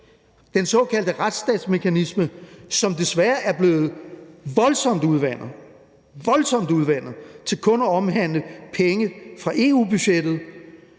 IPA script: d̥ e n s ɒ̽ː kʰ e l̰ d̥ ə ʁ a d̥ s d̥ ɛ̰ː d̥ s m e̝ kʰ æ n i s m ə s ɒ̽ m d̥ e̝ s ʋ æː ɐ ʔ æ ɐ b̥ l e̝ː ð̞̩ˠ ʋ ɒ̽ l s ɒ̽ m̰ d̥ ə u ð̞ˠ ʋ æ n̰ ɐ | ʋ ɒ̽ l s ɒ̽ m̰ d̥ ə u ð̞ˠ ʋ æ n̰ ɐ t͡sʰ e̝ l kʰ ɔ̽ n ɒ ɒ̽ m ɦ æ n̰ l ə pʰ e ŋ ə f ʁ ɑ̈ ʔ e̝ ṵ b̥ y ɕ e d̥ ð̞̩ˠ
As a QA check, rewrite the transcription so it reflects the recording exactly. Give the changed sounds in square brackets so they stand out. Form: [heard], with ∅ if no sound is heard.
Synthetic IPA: d̥ e n s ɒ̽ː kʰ [æ] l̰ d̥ ə ʁ a d̥ s d̥ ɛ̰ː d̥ s m e̝ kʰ æ n i s m ə s ɒ̽ m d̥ e̝ s ʋ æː ɐ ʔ æ ɐ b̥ l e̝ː ð̞̩ˠ ʋ ɒ̽ l s ɒ̽ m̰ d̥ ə u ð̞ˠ ʋ æ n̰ ɐ | ʋ ɒ̽ l s ɒ̽ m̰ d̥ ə u ð̞ˠ ʋ æ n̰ ɐ t͡sʰ e̝ l kʰ ɔ̽ n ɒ ɒ̽ m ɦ æ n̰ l ə pʰ e ŋ ə f ʁ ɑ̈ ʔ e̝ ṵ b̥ y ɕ e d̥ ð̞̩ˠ

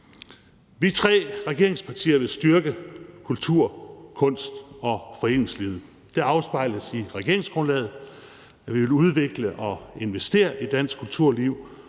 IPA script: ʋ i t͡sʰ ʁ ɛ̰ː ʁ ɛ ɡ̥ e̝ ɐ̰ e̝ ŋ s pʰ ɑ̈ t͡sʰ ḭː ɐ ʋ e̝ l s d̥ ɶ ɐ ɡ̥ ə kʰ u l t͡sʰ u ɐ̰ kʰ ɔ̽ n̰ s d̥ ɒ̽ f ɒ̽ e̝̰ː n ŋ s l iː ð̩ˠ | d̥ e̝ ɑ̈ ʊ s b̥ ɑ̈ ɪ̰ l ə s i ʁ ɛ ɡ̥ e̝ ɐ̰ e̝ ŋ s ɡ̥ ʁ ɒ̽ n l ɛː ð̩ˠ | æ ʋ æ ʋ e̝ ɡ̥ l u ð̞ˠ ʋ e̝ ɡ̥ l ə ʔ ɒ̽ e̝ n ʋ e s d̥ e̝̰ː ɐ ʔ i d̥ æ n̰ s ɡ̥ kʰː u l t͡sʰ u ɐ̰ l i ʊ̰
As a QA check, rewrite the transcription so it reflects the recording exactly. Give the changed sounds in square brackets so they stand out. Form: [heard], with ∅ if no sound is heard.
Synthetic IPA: ʋ i t͡sʰ ʁ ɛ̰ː ʁ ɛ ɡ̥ e̝ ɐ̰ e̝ ŋ s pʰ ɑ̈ t͡sʰ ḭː ɐ ʋ e̝ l s d̥ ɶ ɐ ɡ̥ ə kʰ u l t͡sʰ u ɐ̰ kʰ ɔ̽ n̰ s d̥ ɒ̽ f ɒ̽ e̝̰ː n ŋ s l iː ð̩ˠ | d̥ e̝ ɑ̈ ʊ s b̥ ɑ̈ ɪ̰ l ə s i ʁ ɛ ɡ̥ e̝ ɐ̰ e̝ ŋ s ɡ̥ ʁ [ɔ̽] n l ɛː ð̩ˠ | æ ʋ [i] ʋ e̝ [∅] l u ð̞ˠ ʋ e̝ ɡ̥ l ə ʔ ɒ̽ e̝ n ʋ e s d̥ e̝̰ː ɐ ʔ i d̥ æ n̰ s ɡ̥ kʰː u l t͡sʰ u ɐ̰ l i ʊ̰

